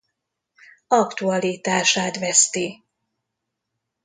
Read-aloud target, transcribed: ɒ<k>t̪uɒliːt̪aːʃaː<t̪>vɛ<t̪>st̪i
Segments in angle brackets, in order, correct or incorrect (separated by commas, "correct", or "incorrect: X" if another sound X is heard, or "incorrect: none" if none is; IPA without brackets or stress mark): correct, correct, incorrect: none